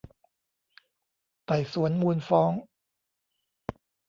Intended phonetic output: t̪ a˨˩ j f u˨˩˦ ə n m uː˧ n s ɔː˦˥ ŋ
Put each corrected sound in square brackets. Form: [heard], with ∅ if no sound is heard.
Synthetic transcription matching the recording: t̪ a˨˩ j [s] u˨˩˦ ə n m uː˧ n [f] ɔː˦˥ ŋ